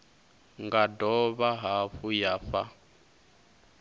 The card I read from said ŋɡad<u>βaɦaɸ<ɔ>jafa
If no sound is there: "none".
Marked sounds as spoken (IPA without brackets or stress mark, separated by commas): ɔ, u